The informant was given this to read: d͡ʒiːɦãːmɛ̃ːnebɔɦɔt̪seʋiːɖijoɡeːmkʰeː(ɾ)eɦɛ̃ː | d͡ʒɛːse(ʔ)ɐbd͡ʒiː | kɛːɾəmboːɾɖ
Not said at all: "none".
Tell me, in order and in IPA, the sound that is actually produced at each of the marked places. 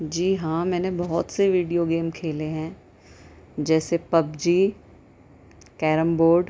l, p

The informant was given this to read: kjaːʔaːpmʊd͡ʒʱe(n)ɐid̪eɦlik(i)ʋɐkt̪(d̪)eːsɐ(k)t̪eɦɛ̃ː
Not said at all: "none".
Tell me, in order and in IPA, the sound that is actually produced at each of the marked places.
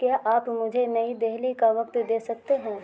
n, a, d̪, k

